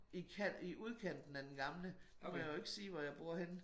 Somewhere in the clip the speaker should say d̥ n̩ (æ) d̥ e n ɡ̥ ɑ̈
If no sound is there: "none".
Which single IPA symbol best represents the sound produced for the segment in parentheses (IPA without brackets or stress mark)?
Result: æ